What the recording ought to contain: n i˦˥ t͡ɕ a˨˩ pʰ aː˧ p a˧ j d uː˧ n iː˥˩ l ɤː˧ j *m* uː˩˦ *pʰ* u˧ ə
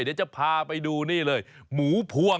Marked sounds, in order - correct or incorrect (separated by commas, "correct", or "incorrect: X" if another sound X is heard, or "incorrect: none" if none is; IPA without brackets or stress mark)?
correct, correct